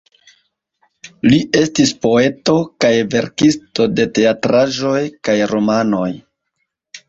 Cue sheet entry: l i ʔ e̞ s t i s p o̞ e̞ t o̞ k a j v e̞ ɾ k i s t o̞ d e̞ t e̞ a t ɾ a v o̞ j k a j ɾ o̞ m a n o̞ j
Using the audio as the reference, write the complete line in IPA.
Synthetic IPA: l i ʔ e̞ s t i s p o̞ e̞ t o̞ k a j v e̞ ɾ k i s t o̞ d e̞ t e̞ a t ɾ a ʒ o̞ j k a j ɾ o̞ m a n o̞ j